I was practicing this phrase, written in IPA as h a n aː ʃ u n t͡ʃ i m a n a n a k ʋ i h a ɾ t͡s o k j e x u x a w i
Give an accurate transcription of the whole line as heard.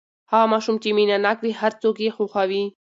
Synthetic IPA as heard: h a m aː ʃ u m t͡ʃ i m i n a n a k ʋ i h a ɾ t͡s o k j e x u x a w i